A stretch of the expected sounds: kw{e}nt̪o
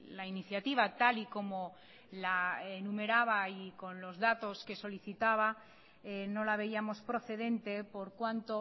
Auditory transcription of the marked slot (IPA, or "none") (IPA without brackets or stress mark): a